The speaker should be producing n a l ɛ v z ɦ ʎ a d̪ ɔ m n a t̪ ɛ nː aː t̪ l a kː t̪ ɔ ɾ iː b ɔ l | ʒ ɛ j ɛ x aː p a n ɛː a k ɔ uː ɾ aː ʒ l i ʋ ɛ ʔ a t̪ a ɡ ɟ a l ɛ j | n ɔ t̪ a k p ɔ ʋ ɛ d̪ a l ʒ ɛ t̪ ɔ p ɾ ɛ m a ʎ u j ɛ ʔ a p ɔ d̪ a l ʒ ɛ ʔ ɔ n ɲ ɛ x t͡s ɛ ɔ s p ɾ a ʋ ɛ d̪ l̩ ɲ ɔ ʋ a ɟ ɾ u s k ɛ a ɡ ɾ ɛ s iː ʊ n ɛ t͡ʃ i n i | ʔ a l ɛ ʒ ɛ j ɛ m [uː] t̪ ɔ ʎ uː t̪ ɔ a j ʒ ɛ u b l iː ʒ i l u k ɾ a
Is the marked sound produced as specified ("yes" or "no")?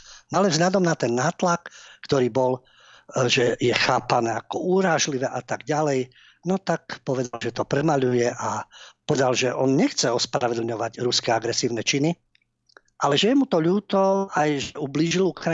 no